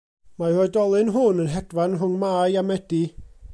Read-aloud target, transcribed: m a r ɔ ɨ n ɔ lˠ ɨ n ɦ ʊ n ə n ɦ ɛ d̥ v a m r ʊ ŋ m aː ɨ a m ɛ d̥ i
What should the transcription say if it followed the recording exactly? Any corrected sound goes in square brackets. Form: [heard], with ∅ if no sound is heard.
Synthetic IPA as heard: m a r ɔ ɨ [d] ɔ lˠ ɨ n ɦ ʊ n ə n ɦ ɛ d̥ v a [n] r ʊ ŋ m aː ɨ a m ɛ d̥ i